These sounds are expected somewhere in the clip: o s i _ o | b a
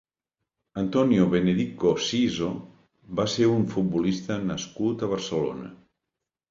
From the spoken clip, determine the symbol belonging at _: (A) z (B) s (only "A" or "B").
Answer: A